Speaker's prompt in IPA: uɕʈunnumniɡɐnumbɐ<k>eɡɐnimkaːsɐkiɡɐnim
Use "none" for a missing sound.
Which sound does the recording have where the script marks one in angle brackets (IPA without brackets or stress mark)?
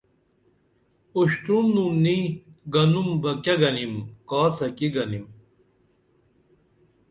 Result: k